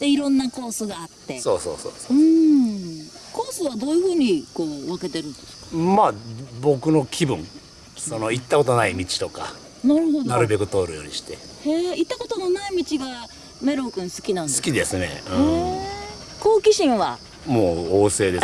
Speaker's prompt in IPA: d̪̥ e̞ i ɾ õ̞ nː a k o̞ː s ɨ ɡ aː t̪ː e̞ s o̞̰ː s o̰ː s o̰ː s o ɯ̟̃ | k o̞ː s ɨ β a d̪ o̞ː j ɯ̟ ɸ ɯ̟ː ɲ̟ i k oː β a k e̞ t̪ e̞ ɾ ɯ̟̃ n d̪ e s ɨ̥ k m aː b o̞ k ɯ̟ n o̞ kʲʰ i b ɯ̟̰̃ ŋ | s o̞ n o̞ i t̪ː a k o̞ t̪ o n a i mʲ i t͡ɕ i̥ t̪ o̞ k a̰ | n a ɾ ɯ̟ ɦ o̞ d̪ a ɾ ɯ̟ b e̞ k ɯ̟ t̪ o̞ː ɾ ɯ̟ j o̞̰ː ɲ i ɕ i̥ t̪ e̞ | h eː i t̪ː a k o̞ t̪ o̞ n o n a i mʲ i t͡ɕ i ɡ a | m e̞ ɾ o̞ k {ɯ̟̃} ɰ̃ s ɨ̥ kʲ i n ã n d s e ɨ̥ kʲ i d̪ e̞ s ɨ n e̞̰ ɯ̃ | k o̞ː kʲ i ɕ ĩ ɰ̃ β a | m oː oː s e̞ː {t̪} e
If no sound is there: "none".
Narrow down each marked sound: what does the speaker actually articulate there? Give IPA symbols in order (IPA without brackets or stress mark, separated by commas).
ɯ̟̃, d̪